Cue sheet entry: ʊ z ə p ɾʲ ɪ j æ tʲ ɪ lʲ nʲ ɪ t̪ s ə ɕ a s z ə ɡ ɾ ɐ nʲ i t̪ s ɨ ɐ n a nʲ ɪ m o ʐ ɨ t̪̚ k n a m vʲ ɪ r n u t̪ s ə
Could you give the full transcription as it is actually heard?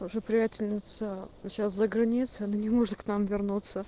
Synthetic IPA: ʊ ʐ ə p ɾʲ ɪ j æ tʲ ɪ lʲ nʲ ɪ t̪ s ə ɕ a s z ə ɡ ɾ ɐ nʲ i t̪ s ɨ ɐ n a nʲ ɪ m o ʐ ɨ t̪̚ k n a m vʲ ɪ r n u t̪ s ə